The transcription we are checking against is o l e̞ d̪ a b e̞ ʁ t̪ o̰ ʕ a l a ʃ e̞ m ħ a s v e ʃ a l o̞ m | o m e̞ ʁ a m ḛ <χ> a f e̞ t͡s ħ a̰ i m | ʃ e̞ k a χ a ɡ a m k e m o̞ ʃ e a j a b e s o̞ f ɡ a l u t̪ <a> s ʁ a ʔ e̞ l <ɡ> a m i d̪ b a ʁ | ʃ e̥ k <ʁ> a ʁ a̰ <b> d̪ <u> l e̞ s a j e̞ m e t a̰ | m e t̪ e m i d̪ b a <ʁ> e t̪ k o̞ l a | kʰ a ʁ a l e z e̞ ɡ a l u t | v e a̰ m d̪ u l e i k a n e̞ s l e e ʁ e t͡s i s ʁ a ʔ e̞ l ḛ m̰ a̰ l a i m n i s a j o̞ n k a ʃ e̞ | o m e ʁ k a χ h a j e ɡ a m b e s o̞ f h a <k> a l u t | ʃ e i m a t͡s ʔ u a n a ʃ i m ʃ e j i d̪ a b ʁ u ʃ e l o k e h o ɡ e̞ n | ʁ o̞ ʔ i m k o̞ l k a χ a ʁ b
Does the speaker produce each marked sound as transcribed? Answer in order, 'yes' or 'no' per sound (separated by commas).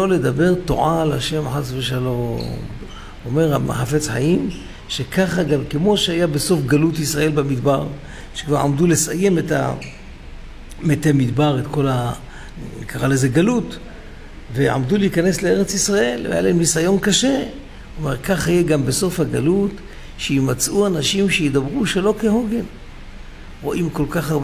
no, no, no, no, no, yes, yes, no